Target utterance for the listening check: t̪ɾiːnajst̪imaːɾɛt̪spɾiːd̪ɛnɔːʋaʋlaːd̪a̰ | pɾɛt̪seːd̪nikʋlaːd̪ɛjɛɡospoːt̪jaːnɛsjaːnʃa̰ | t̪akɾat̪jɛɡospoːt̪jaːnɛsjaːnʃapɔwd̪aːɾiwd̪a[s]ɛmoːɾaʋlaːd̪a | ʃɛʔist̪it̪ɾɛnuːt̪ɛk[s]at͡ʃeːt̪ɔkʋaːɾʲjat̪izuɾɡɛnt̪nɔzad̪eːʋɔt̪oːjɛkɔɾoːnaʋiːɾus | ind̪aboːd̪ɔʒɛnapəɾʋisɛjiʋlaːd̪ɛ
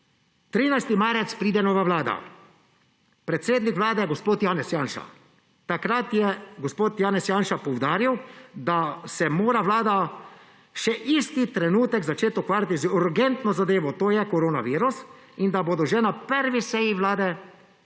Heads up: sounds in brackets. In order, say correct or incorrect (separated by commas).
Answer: correct, incorrect